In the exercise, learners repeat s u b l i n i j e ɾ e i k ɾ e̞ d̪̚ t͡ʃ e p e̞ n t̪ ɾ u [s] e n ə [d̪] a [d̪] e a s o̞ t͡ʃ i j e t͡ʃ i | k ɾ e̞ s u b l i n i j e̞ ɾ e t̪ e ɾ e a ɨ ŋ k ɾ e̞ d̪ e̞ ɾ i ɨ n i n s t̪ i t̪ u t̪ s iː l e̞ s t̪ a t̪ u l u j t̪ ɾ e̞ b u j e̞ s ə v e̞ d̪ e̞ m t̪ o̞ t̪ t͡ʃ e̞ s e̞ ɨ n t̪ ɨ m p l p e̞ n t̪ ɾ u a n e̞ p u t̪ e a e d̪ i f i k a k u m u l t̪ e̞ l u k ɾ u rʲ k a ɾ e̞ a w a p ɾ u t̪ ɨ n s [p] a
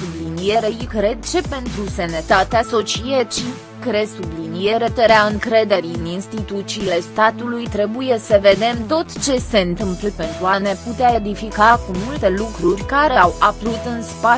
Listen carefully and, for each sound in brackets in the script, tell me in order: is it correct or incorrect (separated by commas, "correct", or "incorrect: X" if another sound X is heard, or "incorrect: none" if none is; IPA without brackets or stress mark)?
correct, incorrect: t̪, incorrect: t̪, correct